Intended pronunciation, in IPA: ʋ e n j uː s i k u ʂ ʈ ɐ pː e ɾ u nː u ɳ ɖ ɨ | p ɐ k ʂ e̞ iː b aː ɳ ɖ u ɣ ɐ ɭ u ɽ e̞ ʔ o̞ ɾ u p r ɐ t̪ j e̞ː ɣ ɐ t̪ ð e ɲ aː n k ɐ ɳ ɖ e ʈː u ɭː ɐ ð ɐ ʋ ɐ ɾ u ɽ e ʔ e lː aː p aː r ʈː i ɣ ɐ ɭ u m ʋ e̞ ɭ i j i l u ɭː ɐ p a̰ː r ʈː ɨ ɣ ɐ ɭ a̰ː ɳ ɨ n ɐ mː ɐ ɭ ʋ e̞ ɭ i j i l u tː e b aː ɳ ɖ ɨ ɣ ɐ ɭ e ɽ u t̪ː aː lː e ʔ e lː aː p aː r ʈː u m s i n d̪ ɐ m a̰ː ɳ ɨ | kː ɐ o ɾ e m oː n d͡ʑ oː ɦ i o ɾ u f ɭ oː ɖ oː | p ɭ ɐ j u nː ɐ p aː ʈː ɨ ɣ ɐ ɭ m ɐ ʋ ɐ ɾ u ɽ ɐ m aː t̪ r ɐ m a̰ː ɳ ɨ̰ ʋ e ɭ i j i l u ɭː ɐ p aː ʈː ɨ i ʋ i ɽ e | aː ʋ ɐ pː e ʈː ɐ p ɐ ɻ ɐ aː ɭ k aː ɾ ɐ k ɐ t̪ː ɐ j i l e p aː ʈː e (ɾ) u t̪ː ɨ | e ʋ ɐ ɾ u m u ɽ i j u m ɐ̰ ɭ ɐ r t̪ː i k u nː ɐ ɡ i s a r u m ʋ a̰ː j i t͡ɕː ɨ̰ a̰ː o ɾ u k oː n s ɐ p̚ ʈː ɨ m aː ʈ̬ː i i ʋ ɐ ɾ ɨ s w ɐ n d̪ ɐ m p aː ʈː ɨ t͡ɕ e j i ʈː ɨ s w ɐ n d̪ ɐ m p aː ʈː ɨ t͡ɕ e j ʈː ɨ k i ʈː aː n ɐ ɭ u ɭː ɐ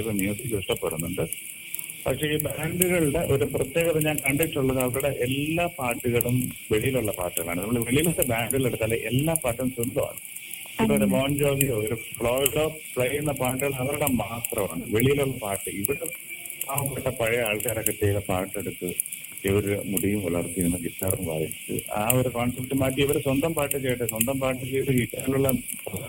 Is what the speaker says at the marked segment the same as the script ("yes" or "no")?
no